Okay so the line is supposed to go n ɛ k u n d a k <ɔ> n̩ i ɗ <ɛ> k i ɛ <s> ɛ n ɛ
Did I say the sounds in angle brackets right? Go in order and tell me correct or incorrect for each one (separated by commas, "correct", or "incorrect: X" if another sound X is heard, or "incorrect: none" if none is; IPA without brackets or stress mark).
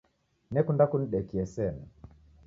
incorrect: u, correct, correct